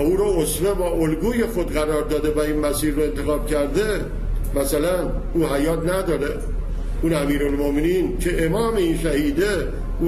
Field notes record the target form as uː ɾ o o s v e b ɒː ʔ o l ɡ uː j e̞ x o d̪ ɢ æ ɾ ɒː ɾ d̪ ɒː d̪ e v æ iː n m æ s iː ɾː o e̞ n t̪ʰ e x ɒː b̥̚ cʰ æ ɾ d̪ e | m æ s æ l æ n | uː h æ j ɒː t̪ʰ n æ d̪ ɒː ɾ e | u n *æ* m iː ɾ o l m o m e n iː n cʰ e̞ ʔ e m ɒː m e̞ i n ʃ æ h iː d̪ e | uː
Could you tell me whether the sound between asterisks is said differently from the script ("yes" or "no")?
no